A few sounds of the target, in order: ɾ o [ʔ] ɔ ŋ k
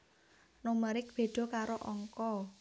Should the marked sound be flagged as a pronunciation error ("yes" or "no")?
no